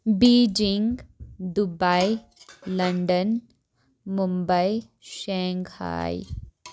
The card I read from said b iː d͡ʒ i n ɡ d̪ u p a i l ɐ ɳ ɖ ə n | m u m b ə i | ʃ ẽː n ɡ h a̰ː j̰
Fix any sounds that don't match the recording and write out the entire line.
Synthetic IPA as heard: b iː d͡ʒ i ŋ ɡ d̪ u b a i l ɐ ɳ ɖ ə n | m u m b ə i | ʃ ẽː ŋ ɡ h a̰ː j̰